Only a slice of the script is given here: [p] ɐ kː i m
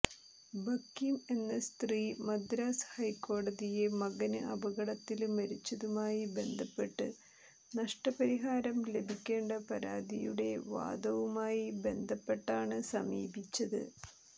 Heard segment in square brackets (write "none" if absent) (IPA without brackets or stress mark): b